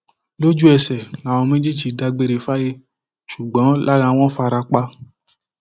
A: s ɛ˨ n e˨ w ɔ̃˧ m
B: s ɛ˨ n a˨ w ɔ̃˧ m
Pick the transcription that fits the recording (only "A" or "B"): B